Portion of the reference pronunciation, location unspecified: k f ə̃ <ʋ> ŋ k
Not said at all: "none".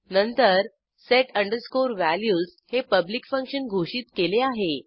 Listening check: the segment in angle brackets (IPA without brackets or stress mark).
none